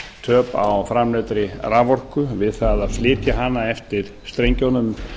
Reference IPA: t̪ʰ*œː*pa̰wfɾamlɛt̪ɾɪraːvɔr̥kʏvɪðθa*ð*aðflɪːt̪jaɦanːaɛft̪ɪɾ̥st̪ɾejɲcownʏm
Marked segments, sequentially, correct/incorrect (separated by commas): correct, correct